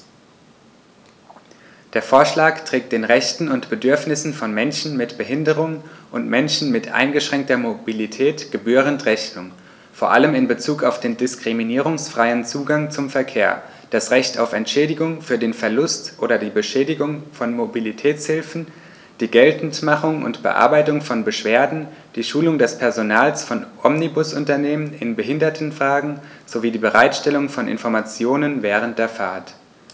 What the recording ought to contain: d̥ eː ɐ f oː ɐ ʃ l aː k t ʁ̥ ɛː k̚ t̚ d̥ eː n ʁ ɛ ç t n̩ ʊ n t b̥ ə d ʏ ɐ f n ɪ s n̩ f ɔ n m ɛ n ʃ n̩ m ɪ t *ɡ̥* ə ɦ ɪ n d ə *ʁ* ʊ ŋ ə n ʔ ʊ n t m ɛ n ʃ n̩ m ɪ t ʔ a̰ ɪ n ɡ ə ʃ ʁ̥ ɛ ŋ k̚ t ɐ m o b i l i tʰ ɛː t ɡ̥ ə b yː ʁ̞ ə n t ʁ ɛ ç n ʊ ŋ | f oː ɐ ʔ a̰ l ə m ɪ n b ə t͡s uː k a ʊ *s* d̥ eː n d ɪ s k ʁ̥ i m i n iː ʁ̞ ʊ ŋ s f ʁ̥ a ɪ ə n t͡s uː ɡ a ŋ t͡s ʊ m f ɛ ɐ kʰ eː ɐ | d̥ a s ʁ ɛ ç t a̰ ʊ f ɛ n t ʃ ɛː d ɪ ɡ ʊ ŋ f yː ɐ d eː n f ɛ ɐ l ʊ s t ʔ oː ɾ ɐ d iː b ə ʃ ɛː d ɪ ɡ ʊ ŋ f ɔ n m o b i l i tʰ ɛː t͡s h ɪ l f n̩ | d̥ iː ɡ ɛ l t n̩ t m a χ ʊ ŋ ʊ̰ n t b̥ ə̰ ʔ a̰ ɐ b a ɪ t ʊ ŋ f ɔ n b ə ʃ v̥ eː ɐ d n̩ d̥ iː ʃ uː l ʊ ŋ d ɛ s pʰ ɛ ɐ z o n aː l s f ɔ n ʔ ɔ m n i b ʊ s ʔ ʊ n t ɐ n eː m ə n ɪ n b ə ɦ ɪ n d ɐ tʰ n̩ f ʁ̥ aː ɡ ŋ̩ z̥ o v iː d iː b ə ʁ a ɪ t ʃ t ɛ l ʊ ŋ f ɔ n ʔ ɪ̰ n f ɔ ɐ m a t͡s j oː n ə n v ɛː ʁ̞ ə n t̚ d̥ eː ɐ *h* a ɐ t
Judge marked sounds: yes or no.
no, yes, no, no

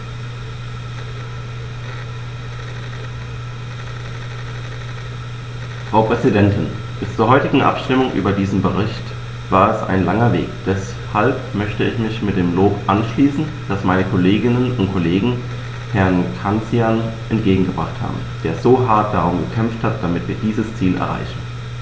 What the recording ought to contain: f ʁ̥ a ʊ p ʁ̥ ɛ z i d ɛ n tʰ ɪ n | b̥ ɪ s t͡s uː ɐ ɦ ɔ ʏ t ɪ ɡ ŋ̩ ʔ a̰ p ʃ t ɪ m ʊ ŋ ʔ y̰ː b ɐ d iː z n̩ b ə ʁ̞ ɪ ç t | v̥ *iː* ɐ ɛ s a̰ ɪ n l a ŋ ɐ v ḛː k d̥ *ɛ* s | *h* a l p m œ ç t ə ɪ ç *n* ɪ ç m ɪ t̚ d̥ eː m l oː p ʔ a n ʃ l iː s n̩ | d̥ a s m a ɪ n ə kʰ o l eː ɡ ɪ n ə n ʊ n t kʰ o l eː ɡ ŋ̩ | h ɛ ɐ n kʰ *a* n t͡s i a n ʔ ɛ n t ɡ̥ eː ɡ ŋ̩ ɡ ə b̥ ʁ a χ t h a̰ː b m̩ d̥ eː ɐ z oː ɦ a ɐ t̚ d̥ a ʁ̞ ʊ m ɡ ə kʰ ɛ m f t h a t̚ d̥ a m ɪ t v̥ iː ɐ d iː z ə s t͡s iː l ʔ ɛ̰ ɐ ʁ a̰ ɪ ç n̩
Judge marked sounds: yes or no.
no, yes, yes, no, yes

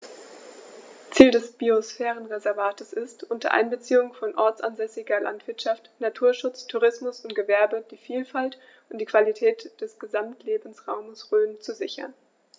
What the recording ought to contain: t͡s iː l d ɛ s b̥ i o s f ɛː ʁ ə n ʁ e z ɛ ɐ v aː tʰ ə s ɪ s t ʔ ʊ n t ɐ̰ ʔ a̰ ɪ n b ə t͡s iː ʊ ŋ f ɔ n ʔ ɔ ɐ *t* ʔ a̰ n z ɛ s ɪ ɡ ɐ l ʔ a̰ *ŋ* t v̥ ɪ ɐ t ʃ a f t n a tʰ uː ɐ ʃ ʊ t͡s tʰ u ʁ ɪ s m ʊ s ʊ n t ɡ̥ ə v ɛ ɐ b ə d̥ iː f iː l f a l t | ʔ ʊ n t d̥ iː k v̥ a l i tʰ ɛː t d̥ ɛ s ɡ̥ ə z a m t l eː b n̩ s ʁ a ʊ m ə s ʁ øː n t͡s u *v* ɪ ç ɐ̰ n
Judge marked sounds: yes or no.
no, no, no

